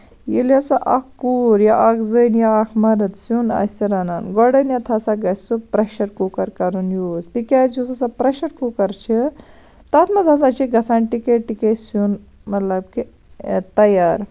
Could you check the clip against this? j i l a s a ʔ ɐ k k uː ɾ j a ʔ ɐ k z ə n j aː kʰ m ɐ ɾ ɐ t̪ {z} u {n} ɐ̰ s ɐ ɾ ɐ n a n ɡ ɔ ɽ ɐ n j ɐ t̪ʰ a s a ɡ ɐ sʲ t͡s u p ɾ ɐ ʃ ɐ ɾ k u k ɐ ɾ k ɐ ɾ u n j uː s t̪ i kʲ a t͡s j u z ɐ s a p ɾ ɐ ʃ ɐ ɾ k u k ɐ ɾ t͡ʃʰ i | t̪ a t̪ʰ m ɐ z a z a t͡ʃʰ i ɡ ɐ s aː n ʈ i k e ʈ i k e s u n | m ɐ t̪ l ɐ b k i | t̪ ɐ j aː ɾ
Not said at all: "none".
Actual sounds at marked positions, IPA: s, n

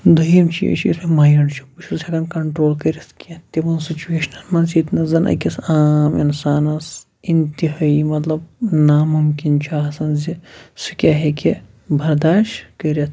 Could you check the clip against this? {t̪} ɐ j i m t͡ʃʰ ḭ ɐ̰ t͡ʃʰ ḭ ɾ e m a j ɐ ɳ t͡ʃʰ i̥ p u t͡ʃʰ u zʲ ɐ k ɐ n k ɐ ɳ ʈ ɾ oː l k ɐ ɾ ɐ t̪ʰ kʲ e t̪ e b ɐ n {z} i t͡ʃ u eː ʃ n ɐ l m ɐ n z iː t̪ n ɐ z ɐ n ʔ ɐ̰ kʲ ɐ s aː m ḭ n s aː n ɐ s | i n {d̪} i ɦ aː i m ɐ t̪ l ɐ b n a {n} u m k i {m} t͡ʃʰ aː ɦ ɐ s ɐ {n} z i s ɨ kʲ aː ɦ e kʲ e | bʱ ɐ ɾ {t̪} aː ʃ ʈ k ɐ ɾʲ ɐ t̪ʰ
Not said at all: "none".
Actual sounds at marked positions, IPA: d̪, s, t̪, m, n, n, d̪

